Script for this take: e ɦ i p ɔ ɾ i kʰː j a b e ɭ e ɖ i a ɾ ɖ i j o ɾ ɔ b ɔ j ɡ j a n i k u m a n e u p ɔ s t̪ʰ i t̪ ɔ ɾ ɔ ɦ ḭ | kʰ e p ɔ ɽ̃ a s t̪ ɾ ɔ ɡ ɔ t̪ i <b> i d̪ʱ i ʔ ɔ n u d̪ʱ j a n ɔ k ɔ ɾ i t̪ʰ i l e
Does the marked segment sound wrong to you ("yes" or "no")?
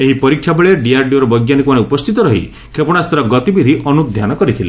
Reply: no